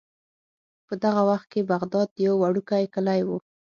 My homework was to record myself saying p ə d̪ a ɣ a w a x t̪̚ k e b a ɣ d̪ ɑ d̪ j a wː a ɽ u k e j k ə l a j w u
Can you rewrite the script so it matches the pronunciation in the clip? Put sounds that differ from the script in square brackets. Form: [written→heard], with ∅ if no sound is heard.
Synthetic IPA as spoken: p ə d̪ a ɣ a w a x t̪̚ k e b a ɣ d̪ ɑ d̪ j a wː a ɽ u k [e→a] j k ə l a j w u